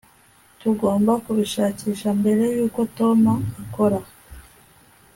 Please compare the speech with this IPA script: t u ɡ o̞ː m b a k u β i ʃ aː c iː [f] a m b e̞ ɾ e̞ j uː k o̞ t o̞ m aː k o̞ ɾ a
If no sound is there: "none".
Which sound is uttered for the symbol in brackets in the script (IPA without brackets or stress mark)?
ʃ